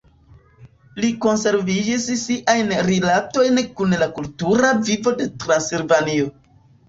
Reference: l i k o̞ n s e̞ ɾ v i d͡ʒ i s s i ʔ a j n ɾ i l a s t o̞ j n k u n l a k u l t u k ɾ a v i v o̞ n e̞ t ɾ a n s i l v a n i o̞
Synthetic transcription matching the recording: l i k o̞ n s e̞ ɾ v i d͡ʒ i s s i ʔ a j n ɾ i l a t o̞ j n k u n l a k u l t u ɾ a v i v o̞ d e̞ t ɾ a n s i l v a n i o̞